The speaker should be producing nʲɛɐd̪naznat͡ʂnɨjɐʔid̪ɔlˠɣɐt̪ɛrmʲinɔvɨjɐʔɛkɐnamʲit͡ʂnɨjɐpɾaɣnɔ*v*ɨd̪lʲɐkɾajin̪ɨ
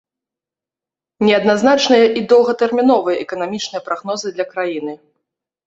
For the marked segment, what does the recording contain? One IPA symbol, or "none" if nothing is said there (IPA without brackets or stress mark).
z